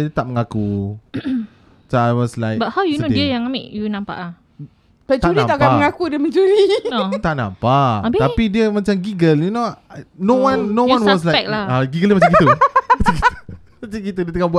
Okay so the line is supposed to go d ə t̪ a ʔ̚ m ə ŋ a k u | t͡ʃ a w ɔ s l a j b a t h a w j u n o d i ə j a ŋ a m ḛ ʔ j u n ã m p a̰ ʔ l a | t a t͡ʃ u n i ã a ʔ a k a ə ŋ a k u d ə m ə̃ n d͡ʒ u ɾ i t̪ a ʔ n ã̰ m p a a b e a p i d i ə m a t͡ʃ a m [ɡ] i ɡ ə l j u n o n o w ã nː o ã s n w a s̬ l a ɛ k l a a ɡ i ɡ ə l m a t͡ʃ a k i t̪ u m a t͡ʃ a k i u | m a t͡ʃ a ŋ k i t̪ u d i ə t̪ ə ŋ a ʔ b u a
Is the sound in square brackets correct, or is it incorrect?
correct